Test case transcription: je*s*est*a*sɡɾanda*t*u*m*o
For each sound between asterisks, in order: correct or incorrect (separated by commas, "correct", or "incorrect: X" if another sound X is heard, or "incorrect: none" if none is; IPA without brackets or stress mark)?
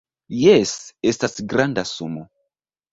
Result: correct, correct, incorrect: s, correct